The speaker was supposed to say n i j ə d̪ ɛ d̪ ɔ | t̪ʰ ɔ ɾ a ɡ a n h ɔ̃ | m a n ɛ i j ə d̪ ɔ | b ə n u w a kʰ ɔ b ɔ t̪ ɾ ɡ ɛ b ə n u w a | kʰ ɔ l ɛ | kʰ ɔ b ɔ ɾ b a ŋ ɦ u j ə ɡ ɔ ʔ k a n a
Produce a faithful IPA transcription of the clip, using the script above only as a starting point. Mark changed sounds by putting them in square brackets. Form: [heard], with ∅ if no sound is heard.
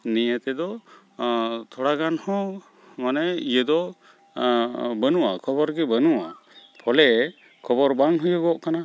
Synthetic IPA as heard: n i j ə [t̪] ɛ d̪ ɔ | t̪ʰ ɔ [ɽ] a ɡ a n h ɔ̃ | m a n ɛ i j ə d̪ ɔ | b ə n u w a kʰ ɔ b ɔ [∅] ɾ ɡ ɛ b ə n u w a | [pʰ] ɔ l ɛ | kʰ ɔ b ɔ ɾ b a ŋ ɦ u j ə ɡ ɔ ʔ k a n a